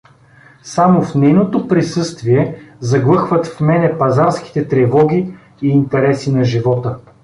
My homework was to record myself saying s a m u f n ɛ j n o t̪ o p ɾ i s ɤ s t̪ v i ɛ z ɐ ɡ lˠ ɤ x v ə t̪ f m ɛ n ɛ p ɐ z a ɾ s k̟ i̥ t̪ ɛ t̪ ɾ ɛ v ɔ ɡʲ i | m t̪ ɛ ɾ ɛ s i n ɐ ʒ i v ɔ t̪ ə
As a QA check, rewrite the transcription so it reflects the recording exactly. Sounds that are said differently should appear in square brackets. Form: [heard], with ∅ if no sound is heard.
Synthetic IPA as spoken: s a m [o] f n ɛ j n o t̪ o p ɾ i s ɤ s t̪ v i ɛ z ɐ ɡ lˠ ɤ x v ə t̪ f m ɛ n ɛ p ɐ z a ɾ s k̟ i̥ t̪ ɛ t̪ ɾ ɛ v ɔ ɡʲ [iː] | [n] t̪ ɛ ɾ ɛ s i n ɐ ʒ i v ɔ t̪ ə